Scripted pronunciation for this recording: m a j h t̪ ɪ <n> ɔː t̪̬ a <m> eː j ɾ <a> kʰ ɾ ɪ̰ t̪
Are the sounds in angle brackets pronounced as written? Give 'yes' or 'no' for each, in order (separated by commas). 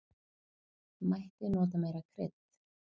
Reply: yes, yes, yes